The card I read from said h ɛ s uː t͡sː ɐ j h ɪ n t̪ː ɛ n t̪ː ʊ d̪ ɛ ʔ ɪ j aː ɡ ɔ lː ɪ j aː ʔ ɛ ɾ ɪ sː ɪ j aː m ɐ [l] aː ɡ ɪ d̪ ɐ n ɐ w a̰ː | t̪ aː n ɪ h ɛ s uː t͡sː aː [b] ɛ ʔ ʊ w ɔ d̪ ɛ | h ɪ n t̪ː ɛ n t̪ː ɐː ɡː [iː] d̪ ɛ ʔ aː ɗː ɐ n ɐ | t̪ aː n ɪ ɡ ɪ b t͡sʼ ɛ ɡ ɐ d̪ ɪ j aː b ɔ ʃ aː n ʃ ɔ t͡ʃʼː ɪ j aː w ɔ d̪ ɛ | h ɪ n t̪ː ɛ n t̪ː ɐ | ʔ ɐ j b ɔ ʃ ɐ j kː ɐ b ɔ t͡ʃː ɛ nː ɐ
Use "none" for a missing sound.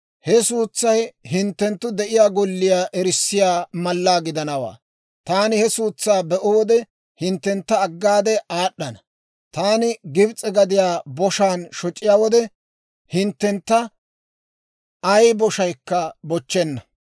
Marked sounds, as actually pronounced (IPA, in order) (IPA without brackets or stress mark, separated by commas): lː, b, aː